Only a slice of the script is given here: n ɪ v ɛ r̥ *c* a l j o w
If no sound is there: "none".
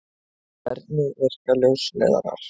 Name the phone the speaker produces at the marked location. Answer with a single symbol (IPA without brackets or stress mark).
k